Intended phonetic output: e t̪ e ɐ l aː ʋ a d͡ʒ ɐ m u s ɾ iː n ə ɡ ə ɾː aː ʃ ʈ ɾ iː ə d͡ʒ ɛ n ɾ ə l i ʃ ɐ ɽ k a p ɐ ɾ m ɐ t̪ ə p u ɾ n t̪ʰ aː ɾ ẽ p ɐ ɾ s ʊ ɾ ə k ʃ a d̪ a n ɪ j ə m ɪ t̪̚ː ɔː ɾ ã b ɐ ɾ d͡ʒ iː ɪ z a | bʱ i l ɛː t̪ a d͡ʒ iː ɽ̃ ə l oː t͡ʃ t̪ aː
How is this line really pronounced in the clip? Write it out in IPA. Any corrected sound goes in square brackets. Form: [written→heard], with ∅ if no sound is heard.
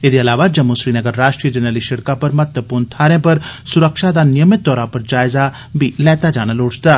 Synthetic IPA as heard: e [t̪→d̪] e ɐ l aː ʋ a d͡ʒ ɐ m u s ɾ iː n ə ɡ ə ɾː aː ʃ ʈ ɾ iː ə d͡ʒ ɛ n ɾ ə l i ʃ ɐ ɽ k a p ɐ ɾ m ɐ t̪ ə p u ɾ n t̪ʰ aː ɾ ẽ p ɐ ɾ s ʊ ɾ ə k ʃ a d̪ a n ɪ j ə m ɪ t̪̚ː ɔː ɾ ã [b→p] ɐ ɾ d͡ʒ [iː→aː] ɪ z a | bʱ i l ɛː t̪ a d͡ʒ [iː→aː] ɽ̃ ə l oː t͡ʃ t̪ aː